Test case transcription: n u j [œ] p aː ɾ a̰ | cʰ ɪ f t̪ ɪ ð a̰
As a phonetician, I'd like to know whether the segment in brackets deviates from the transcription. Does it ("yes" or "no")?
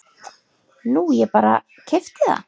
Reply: yes